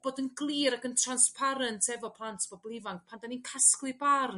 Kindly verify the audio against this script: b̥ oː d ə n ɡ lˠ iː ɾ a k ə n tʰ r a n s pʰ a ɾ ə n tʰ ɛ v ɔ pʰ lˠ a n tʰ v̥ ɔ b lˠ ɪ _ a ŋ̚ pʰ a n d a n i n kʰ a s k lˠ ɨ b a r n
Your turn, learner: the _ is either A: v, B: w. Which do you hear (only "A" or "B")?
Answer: A